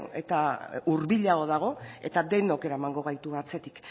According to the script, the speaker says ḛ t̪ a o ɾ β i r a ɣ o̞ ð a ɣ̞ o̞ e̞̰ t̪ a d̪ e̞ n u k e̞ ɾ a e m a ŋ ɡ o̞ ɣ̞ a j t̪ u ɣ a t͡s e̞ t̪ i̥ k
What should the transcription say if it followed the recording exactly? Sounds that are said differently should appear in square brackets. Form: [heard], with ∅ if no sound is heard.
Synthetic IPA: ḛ t̪ a [u] ɾ β i [ʎ] a ɣ o̞ ð a ɣ̞ o̞ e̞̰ t̪ a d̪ e̞ n [o] k e̞ ɾ a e m a ŋ ɡ o̞ ɣ̞ a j t̪ u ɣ a t͡s e̞ t̪ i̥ k